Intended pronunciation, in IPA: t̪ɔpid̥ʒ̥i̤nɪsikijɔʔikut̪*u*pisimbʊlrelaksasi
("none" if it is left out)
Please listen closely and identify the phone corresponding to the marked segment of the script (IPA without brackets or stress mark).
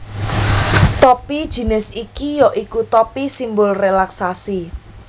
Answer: ɔ